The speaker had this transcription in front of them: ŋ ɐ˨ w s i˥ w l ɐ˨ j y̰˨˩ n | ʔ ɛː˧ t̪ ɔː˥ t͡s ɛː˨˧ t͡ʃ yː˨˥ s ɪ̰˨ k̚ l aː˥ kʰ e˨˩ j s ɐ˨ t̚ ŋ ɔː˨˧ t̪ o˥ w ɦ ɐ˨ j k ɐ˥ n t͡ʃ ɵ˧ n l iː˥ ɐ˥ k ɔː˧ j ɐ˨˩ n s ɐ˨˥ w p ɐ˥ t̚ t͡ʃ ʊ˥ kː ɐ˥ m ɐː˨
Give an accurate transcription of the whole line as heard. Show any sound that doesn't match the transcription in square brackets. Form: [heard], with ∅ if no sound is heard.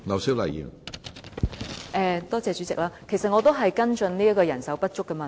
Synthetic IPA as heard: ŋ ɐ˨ w s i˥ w l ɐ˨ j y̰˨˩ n | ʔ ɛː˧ t̪ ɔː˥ t͡s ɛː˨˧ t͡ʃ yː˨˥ [t͡s] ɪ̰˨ k̚ l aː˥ kʰ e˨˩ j s ɐ˨ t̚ ŋ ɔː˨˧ t̪ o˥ w ɦ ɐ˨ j k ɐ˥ n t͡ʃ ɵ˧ n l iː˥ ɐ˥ k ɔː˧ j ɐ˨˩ n s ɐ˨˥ w p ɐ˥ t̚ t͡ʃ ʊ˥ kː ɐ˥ m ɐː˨